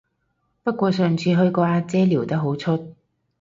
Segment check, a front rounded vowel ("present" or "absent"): present